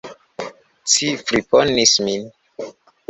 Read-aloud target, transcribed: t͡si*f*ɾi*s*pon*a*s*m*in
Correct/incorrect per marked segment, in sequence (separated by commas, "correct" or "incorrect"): correct, incorrect, incorrect, correct